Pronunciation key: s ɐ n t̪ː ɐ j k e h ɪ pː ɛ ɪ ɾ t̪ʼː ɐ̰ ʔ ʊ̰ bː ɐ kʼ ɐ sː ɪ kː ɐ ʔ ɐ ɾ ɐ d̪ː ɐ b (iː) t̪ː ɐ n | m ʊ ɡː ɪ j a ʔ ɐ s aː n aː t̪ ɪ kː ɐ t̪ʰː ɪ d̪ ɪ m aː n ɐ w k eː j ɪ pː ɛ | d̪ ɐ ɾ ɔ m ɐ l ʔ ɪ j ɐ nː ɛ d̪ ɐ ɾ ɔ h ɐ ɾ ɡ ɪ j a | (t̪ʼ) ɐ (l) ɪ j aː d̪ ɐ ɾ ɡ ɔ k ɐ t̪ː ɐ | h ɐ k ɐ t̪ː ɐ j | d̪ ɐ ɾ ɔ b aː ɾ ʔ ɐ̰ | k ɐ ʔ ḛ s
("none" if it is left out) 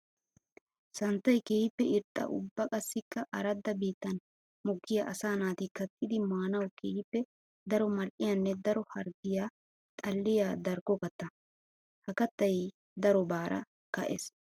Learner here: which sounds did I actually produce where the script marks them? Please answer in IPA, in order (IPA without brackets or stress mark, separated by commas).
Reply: iː, t̪ʼ, lː